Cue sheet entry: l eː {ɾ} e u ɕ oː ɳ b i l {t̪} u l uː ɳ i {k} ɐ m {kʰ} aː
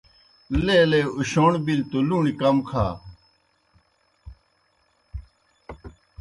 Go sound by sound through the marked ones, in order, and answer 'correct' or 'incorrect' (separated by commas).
incorrect, correct, correct, correct